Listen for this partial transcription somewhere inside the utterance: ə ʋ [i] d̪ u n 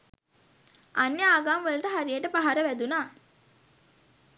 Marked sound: incorrect: æ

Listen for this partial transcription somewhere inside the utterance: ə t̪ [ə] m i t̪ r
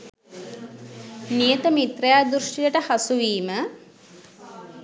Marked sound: correct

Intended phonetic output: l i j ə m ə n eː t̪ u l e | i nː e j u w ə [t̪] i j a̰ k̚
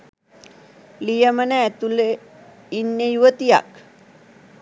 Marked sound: correct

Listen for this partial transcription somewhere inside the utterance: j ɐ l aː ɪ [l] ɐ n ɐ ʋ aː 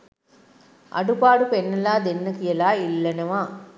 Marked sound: incorrect: lː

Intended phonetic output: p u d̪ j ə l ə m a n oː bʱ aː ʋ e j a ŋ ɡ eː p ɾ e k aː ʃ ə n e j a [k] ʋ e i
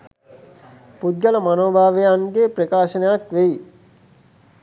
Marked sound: correct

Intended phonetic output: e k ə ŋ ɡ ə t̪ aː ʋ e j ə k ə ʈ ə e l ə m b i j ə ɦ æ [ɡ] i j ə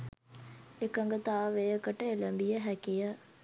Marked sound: incorrect: k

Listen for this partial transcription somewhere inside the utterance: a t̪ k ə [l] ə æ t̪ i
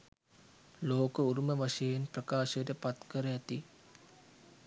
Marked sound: incorrect: ɾ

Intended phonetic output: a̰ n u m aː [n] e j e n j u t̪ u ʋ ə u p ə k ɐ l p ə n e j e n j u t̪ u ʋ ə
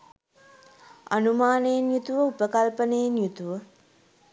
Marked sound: correct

